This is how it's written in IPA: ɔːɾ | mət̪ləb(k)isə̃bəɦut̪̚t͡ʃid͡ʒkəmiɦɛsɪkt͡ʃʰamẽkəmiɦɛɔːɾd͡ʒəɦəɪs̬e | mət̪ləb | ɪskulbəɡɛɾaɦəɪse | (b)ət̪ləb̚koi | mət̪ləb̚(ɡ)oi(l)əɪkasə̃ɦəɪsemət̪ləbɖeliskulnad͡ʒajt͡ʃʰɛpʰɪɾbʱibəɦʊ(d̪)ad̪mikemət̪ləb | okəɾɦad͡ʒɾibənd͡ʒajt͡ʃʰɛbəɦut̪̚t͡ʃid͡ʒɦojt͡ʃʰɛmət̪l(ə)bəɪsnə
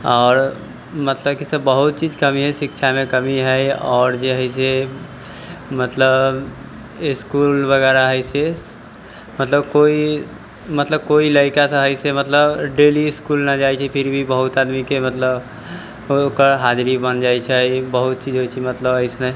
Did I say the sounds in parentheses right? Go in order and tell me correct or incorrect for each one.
correct, incorrect: m, incorrect: k, correct, incorrect: t̪, correct

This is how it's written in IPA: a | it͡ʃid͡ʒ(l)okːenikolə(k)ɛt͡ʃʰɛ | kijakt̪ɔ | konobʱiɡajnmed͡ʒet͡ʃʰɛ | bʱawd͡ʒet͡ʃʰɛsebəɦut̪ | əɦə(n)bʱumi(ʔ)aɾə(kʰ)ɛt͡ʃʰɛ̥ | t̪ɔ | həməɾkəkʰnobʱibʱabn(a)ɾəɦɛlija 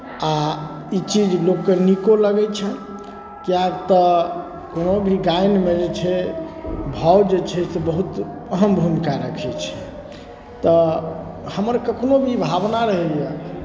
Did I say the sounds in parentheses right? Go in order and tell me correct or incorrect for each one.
correct, incorrect: ɡ, incorrect: m, incorrect: k, correct, correct

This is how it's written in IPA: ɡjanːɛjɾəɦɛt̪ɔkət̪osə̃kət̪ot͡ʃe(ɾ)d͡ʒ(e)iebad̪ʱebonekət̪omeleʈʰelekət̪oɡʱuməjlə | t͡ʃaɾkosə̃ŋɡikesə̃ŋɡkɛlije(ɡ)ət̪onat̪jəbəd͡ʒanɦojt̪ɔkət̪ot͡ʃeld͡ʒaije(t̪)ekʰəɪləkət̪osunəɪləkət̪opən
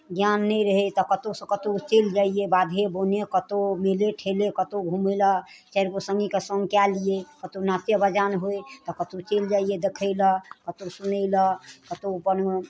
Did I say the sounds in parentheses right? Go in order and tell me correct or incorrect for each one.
incorrect: l, incorrect: a, incorrect: k, incorrect: d̪

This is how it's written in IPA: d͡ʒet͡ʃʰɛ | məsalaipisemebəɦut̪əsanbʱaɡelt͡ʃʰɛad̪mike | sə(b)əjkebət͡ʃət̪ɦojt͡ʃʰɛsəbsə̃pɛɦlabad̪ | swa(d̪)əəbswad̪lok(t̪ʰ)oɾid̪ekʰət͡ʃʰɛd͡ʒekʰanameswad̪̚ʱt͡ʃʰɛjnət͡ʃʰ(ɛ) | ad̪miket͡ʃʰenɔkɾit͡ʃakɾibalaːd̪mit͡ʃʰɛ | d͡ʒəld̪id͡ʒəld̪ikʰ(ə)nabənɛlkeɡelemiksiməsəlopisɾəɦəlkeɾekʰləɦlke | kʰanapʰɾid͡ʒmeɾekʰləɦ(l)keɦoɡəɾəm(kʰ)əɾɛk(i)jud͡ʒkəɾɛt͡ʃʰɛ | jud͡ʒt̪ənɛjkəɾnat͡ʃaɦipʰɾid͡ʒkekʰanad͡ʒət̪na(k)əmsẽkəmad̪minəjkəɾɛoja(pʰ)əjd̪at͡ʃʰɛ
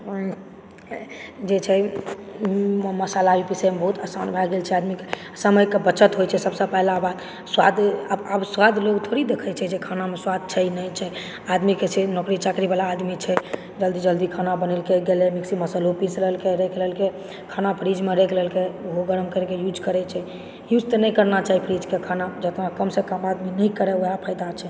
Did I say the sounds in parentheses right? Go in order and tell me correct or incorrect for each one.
incorrect: m, correct, correct, correct, incorrect: a, correct, incorrect: k, incorrect: e, correct, correct

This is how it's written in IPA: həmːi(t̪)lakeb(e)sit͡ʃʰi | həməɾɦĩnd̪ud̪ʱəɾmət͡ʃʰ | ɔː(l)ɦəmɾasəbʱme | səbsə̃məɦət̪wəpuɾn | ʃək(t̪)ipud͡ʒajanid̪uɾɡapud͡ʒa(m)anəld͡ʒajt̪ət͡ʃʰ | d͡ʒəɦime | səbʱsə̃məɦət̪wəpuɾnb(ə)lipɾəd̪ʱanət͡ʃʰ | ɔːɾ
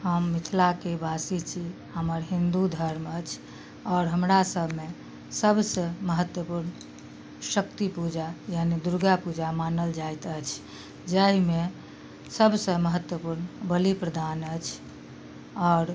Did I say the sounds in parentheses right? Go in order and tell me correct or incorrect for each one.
incorrect: t̪ʰ, incorrect: a, incorrect: ɾ, correct, correct, correct

